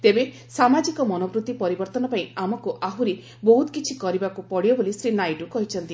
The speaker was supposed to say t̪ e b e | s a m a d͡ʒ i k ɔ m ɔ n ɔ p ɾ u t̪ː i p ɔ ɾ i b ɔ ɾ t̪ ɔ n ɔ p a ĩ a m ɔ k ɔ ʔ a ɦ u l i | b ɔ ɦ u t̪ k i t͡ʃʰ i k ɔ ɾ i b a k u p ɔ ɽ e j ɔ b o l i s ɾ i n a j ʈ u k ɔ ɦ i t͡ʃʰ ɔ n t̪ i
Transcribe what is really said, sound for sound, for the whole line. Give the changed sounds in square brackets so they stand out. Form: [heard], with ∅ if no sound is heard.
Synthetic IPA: t̪ e b e | s a m a d͡ʒ i k ɔ m ɔ n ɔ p ɾ u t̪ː i p ɔ ɾ i b ɔ ɾ t̪ ɔ n ɔ p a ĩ a m ɔ k [u] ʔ a ɦ u [ɾ] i | b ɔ ɦ u t̪ k i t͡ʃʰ i k ɔ ɾ i b a k u p ɔ ɽ [i] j ɔ b o l i s ɾ i n a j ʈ u k ɔ ɦ i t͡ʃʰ ɔ n t̪ i